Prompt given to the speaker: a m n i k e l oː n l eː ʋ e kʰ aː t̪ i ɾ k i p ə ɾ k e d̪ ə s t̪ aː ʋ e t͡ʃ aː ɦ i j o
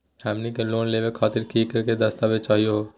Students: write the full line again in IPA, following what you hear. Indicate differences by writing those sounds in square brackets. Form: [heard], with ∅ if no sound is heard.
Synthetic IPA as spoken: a m n i k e l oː n l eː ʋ e kʰ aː t̪ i ɾ k i [k] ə ɾ k e d̪ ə s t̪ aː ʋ e t͡ʃ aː ɦ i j o